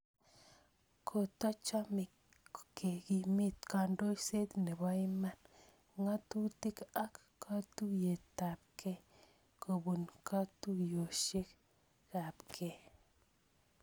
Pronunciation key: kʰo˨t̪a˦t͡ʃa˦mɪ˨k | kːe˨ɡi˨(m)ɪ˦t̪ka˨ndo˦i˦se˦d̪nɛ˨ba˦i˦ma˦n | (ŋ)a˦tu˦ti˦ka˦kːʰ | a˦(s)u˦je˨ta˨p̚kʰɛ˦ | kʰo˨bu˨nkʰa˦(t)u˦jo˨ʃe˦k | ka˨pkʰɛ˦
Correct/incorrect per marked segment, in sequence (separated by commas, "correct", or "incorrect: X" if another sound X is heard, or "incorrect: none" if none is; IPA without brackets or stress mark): correct, correct, incorrect: t, correct